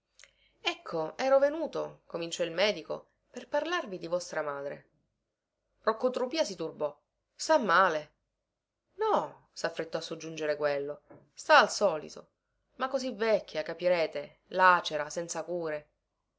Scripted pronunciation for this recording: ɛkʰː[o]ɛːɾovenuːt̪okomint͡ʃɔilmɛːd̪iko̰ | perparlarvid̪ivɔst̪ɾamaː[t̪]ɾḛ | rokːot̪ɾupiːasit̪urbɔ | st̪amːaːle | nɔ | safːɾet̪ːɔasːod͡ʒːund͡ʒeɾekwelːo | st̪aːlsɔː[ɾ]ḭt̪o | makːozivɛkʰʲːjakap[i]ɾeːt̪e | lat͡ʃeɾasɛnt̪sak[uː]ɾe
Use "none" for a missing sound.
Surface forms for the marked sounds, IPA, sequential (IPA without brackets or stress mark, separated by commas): o, d̪, l, i, uː